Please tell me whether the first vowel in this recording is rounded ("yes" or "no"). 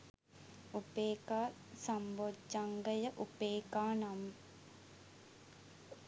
yes